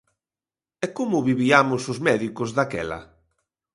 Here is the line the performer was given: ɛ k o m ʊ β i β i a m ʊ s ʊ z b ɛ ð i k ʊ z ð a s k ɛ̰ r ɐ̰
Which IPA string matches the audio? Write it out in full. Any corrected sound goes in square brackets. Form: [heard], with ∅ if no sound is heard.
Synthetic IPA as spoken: ɛ k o m ʊ β i β i a m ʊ s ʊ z [m] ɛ ð i k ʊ z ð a [∅] k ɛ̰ [l] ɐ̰